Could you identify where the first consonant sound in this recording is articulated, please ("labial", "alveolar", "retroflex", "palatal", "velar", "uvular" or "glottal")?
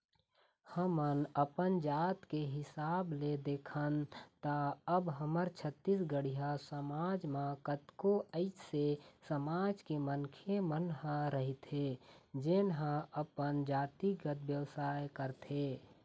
glottal